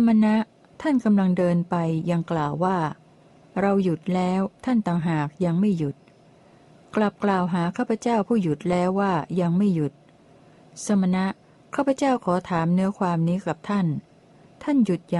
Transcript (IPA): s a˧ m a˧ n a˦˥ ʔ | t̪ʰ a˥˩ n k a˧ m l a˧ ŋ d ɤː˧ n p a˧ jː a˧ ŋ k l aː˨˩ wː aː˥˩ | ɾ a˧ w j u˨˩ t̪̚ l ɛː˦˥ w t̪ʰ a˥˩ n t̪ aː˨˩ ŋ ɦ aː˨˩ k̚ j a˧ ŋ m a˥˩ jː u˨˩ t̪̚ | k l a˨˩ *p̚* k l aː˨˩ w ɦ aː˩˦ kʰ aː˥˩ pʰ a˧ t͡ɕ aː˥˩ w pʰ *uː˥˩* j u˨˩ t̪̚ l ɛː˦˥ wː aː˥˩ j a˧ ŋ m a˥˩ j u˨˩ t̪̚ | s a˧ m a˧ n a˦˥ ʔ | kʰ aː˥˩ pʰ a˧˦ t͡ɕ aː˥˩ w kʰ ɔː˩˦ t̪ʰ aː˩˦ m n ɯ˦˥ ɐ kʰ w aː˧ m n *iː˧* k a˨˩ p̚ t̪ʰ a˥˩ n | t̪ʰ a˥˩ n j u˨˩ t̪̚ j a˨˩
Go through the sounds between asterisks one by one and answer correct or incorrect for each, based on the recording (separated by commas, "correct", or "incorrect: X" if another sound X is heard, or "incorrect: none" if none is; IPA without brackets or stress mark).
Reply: correct, correct, incorrect: iː˦˥